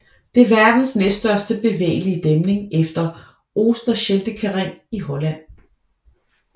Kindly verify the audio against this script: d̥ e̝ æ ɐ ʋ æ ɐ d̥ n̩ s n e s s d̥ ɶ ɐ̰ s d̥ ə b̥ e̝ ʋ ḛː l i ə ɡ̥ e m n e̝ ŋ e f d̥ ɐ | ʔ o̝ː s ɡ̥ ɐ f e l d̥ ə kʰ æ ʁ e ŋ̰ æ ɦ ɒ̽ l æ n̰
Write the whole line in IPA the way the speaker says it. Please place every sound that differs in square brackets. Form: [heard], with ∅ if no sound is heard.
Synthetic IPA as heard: d̥ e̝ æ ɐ ʋ æ ɐ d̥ n̩ s n e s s d̥ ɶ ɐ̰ s d̥ ə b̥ e̝ ʋ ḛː l i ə [d̥] e m n e̝ ŋ e f d̥ ɐ | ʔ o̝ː s [d̥] ɐ [ɕ] e l d̥ ə kʰ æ ʁ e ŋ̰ [i] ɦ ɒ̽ l æ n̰